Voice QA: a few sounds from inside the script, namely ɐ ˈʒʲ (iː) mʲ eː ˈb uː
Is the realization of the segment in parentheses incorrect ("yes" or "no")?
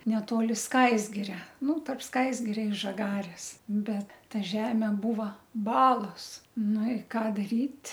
yes